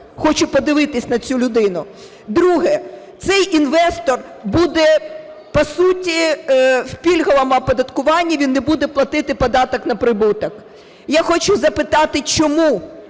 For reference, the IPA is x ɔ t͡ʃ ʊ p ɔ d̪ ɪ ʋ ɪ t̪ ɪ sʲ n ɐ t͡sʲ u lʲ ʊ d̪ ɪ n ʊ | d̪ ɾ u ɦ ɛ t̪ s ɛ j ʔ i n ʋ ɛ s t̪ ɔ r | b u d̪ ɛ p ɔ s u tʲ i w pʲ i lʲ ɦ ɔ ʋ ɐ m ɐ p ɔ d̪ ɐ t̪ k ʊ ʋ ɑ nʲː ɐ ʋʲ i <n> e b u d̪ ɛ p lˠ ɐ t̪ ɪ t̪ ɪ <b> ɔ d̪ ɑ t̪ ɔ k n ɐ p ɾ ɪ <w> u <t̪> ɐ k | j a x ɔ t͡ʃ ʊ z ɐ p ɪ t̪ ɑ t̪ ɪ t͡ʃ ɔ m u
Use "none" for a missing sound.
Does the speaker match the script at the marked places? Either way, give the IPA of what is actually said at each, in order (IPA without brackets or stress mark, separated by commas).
nː, p, b, t̪